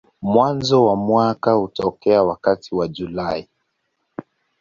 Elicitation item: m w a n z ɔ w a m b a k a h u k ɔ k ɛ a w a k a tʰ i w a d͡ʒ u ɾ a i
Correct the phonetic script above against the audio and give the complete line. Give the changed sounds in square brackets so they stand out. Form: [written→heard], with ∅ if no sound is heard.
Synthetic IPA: m w a n z ɔ w a m [b→w] a k a h u [k→t] ɔ k ɛ a w a k a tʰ i w a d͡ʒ u [ɾ→l] a i